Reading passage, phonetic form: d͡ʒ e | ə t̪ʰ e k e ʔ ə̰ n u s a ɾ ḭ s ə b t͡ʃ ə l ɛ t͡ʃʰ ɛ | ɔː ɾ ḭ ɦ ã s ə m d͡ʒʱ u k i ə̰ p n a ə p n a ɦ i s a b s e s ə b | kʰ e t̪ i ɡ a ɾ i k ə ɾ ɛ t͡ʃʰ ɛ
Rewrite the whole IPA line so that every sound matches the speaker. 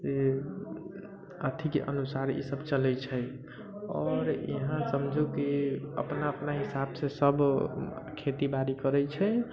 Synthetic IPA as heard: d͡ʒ e | ə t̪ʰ i k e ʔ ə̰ n u s a ɾ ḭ s ə b t͡ʃ ə l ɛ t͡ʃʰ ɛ | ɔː ɾ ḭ ɦ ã s ə m d͡ʒʱ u k i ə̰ p n a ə p n a ɦ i s a b s e s ə b | kʰ e t̪ i b a ɾ i k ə ɾ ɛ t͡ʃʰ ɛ